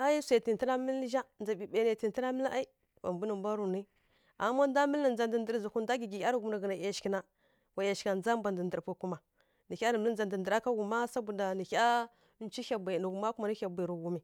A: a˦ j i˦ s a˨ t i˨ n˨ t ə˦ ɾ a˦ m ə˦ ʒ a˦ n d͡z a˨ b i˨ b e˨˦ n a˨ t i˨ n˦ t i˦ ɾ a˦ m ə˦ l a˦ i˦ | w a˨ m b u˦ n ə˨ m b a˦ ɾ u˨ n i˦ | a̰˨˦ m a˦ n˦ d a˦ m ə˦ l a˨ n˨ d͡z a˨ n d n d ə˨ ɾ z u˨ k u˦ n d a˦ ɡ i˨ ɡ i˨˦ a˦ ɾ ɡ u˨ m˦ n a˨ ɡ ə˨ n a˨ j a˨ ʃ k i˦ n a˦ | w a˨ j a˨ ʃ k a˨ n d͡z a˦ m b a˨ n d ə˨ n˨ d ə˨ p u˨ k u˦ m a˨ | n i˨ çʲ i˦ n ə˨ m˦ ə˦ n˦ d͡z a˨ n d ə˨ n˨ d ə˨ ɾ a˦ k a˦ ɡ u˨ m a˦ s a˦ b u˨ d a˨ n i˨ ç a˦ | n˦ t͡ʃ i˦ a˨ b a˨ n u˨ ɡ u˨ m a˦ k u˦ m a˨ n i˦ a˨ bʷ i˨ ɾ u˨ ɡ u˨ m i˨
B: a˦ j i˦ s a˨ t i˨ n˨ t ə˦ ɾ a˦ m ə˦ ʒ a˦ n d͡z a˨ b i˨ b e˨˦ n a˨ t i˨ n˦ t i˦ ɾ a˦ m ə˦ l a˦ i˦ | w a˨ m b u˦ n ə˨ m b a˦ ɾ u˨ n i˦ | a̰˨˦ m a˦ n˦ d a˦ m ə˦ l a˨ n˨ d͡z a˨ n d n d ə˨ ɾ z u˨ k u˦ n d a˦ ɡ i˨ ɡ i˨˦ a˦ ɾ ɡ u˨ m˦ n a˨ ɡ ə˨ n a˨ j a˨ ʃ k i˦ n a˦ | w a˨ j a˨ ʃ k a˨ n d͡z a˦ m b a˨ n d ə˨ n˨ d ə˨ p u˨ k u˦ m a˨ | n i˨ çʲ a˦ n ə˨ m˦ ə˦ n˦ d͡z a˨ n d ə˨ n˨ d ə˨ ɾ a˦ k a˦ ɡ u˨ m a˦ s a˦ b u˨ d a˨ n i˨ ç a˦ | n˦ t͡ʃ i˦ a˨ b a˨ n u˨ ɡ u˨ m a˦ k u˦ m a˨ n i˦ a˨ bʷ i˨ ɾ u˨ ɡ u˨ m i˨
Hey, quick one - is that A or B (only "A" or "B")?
B